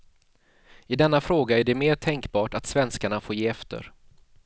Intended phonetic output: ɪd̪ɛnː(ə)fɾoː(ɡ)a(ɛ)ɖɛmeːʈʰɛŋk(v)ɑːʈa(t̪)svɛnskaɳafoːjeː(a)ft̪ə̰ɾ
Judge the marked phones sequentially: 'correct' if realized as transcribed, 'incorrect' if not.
incorrect: a, correct, incorrect: æ, incorrect: b, correct, incorrect: ɛ

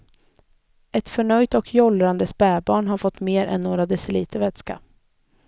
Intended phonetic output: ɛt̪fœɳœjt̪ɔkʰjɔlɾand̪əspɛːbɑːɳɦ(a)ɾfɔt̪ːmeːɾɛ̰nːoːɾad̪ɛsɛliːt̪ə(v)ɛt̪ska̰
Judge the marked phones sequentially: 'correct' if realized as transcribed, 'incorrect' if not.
correct, correct

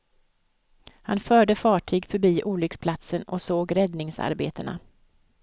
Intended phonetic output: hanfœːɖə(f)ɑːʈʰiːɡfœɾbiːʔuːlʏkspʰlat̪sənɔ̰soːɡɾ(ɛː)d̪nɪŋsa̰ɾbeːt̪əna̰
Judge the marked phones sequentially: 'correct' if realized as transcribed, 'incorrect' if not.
correct, incorrect: ɛ

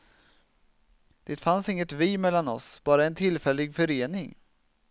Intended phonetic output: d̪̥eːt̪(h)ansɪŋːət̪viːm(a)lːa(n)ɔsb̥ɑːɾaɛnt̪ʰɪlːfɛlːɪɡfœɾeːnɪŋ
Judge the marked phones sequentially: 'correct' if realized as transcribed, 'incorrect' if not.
incorrect: f, incorrect: ɛ, correct

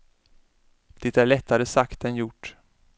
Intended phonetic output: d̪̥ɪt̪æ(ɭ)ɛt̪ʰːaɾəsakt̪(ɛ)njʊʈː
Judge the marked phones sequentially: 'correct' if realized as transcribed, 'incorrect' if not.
correct, correct

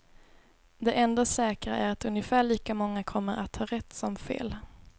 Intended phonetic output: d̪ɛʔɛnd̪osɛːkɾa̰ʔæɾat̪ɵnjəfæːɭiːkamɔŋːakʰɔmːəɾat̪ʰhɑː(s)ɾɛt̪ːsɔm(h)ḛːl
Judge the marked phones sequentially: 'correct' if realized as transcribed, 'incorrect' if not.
incorrect: none, incorrect: f

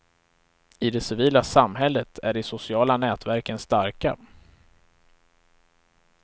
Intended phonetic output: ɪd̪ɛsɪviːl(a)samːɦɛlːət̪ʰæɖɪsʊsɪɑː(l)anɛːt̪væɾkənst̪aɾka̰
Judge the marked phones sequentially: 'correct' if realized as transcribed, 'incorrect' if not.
correct, correct

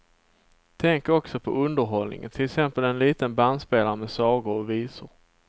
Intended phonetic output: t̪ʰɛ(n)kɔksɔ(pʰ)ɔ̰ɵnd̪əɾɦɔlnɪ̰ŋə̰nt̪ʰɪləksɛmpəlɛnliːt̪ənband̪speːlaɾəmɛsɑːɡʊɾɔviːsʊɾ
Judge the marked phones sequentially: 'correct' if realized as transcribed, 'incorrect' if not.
incorrect: ŋ, correct

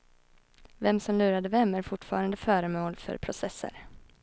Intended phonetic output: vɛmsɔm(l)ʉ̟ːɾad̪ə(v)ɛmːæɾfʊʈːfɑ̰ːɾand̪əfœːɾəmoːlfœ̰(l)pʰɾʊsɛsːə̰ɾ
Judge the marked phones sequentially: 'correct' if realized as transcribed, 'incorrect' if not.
correct, correct, incorrect: ɾ

